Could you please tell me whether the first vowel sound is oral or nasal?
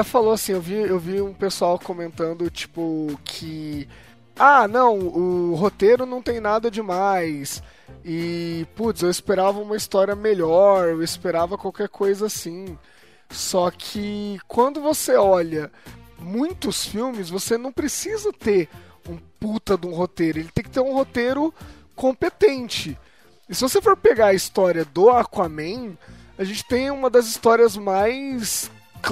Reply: oral